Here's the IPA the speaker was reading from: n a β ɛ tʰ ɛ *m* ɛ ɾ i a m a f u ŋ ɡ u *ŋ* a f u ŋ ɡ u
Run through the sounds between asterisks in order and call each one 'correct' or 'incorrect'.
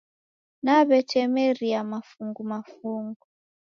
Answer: correct, incorrect: m

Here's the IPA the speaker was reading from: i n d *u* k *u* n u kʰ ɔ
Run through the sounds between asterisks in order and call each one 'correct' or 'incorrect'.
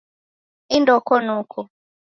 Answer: incorrect: ɔ, incorrect: ɔ

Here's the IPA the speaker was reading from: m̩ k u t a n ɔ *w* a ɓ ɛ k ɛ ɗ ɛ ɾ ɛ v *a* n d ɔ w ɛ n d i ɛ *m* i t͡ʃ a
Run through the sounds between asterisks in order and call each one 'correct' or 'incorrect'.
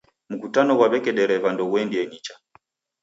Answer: correct, correct, incorrect: ɲ

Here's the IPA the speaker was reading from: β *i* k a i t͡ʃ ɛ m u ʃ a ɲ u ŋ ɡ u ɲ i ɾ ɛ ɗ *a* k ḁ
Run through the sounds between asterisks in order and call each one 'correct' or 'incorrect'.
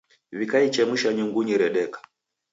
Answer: correct, incorrect: ɛ

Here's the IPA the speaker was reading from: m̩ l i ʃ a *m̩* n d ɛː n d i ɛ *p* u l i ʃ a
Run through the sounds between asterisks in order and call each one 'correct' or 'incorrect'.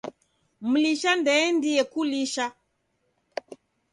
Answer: incorrect: none, incorrect: k

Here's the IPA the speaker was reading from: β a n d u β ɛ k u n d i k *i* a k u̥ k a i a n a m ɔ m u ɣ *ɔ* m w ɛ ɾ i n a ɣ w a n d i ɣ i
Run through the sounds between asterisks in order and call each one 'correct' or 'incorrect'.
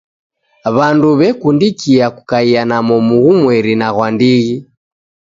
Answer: correct, incorrect: u

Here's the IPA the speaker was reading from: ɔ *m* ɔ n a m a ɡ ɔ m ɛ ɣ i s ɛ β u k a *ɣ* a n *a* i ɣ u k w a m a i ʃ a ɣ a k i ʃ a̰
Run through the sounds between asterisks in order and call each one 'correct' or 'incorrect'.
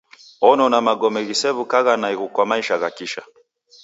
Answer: incorrect: n, correct, correct

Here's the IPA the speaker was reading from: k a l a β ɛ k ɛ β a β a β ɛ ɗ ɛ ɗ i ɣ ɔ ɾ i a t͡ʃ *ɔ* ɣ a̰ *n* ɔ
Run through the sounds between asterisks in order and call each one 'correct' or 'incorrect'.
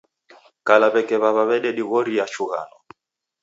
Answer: incorrect: u, correct

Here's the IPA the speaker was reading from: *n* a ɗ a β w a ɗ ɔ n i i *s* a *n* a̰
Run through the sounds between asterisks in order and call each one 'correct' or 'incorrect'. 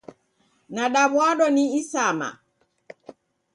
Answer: correct, correct, incorrect: m

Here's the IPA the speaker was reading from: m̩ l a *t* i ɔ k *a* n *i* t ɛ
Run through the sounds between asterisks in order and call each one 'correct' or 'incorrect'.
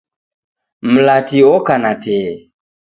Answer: correct, correct, incorrect: a

